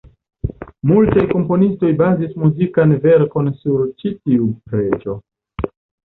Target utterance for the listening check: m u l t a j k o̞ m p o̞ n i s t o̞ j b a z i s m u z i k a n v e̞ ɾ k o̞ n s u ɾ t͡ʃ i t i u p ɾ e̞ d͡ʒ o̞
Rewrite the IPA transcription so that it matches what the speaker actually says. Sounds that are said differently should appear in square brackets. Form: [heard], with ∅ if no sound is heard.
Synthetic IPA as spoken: m u l t a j k o̞ m p o̞ n i s t o̞ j b a z i s m u z i k a n v e̞ ɾ k o̞ n s u ɾ t͡ʃ i t i u p ɾ e̞ d͡ʒ o̞